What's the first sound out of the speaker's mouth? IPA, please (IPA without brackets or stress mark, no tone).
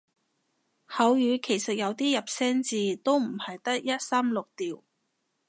h